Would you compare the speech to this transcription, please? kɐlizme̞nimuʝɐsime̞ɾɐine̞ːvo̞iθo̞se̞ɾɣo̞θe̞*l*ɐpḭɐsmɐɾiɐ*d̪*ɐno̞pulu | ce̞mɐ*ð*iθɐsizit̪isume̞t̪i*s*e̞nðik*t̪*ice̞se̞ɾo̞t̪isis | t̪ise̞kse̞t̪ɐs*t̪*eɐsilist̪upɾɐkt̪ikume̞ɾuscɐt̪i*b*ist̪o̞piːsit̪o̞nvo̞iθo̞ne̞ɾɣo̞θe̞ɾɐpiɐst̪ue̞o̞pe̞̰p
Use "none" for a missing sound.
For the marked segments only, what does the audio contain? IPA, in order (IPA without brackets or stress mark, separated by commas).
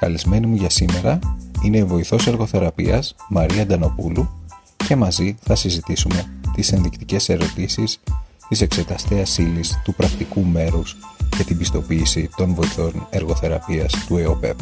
ɾ, d̪, z, s, t̪, t̪, b